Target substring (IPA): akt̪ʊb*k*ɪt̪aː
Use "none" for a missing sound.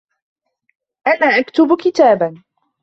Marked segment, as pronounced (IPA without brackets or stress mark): k